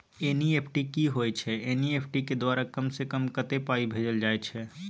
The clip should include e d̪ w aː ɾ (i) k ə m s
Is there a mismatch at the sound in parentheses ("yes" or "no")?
yes